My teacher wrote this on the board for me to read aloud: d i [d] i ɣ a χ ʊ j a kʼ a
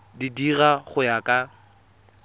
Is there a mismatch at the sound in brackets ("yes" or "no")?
no